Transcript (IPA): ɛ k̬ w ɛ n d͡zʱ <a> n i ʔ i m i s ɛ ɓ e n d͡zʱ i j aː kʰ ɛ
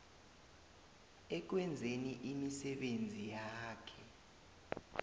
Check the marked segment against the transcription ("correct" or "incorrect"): incorrect